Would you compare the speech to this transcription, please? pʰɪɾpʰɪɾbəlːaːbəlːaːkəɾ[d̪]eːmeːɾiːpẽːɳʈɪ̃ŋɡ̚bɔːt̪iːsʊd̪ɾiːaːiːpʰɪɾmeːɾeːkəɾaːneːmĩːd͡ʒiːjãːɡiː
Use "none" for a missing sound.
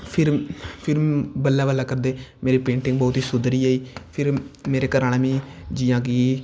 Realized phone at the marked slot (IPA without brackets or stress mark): d̪